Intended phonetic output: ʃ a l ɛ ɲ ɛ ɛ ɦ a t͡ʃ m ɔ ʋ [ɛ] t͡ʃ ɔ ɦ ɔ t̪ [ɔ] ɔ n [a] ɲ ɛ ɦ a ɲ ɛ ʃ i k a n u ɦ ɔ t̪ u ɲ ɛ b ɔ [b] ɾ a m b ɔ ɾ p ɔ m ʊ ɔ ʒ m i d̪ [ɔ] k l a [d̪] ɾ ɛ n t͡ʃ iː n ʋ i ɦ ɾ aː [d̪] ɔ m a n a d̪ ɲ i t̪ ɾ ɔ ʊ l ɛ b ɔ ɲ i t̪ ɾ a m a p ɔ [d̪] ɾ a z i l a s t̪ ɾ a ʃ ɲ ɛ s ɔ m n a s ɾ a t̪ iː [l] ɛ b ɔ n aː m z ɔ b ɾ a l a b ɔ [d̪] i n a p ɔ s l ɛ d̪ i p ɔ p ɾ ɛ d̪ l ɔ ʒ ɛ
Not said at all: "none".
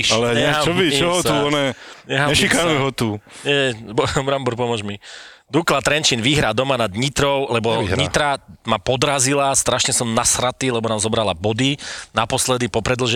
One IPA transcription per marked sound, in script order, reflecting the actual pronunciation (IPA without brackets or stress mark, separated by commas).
i, u, ɛ, b, u, t̪, d̪, d̪, l, d̪